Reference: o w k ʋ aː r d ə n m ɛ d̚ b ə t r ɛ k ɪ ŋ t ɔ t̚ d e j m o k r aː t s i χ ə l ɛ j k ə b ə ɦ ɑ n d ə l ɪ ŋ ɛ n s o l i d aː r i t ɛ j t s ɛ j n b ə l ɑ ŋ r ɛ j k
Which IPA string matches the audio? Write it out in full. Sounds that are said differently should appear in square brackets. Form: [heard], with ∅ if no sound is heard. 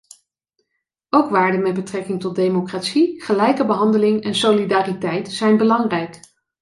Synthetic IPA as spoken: o w k ʋ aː [ɹ] d ə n m ɛ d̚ b ə t r ɛ k ɪ ŋ t ɔ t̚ d e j m o k r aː t s i χ ə l ɛ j k ə b ə ɦ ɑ n d ə l ɪ ŋ ɛ n s o l i d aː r i t ɛ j t s ɛ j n b ə l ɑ ŋ r ɛ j k